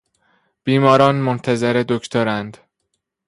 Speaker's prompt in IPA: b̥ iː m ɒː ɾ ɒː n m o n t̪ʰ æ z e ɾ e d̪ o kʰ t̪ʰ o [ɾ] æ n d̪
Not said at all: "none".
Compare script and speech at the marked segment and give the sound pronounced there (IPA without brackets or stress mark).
ɾ